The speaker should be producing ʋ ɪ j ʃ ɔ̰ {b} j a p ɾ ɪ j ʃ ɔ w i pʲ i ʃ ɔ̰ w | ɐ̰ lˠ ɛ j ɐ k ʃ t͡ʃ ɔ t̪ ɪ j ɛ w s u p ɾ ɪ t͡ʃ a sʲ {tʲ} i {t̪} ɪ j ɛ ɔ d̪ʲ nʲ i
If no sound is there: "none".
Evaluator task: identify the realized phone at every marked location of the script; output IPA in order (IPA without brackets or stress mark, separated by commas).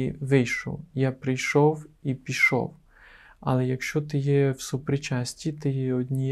w, tʲ, t̪